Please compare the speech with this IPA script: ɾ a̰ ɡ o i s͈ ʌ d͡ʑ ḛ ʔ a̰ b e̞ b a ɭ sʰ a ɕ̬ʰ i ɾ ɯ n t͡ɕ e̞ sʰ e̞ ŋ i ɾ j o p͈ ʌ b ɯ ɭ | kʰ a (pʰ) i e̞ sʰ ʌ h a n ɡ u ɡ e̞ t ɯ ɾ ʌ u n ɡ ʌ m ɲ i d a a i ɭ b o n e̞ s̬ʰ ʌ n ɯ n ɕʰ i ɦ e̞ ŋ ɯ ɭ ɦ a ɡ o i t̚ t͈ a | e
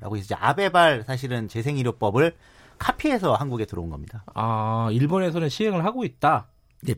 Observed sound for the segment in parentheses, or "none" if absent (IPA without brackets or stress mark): pʰ